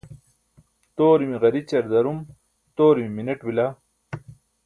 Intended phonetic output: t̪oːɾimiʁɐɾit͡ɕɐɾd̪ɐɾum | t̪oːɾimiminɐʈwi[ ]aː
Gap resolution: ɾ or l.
l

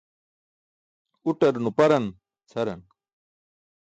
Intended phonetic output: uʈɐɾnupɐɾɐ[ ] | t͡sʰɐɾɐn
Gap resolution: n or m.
n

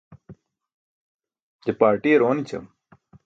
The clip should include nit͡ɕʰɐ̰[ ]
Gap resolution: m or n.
m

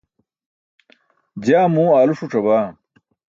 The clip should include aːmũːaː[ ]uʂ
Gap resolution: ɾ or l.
l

